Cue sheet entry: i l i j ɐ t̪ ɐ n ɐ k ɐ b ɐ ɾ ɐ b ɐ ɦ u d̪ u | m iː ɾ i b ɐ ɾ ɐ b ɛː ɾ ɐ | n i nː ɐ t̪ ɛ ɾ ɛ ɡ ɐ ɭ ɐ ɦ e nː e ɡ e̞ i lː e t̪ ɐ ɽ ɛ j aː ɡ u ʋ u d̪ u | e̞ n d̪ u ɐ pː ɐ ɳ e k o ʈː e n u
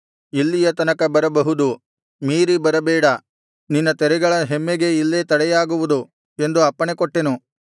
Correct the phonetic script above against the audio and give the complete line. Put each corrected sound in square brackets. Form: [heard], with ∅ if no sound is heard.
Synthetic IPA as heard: i [lː] i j ɐ t̪ ɐ n ɐ k ɐ b ɐ ɾ ɐ b ɐ ɦ u d̪ u | m iː ɾ i b ɐ ɾ ɐ b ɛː [ɽ] ɐ | n i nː ɐ t̪ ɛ ɾ ɛ ɡ ɐ ɭ ɐ ɦ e [mː] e ɡ e̞ i lː e t̪ ɐ ɽ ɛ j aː ɡ u ʋ u d̪ u | e̞ n d̪ u ɐ pː ɐ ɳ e k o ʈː e n u

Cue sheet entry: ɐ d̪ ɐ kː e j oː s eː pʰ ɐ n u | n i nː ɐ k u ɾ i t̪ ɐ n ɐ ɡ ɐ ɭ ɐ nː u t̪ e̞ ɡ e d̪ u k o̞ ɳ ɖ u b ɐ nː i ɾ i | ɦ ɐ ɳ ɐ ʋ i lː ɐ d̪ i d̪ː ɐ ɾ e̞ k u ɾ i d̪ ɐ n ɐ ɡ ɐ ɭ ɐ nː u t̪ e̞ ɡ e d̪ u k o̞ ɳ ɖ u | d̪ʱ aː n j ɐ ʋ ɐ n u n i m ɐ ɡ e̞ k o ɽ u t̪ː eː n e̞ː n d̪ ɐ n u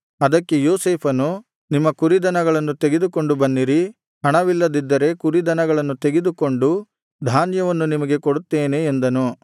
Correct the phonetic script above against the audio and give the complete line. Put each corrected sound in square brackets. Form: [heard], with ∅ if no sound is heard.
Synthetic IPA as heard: ɐ d̪ ɐ kː e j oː s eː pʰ ɐ n u | n i [mː] ɐ k u ɾ i [d̪] ɐ n ɐ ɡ ɐ ɭ ɐ nː u t̪ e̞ ɡ e d̪ u k o̞ ɳ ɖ u b ɐ nː i ɾ i | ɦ ɐ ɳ ɐ ʋ i lː ɐ d̪ i d̪ː ɐ ɾ e̞ k u ɾ i d̪ ɐ n ɐ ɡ ɐ ɭ ɐ nː u t̪ e̞ ɡ e d̪ u k o̞ ɳ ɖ u | d̪ʱ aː n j ɐ ʋ ɐ [nː] u n i m ɐ ɡ e̞ k o ɽ u t̪ː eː n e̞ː n d̪ ɐ n u

